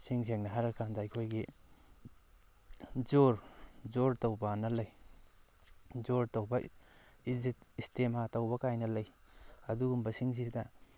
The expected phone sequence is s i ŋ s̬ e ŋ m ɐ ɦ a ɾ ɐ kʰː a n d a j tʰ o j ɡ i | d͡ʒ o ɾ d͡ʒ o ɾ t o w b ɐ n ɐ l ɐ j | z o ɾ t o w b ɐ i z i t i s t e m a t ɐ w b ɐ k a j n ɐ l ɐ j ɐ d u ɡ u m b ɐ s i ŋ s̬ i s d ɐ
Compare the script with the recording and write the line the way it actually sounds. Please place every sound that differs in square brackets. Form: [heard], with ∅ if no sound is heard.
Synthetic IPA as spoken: s i ŋ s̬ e ŋ [n] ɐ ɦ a ɾ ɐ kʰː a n d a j [kʰ] o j ɡ i | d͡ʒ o ɾ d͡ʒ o ɾ t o w b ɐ n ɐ l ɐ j | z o ɾ t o w b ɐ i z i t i s t e m a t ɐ w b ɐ k a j n ɐ l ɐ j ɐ d u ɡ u m b ɐ s i ŋ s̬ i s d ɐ